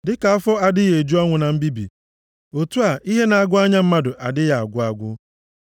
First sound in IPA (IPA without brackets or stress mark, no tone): d